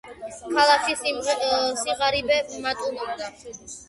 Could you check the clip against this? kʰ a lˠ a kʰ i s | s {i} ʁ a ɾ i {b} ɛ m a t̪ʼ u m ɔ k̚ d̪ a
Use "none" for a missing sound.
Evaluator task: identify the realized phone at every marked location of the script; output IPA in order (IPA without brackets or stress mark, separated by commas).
i, b